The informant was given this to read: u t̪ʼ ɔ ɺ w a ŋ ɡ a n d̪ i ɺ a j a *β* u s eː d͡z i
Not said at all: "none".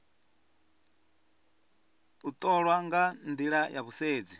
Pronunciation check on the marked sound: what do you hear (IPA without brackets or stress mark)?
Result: β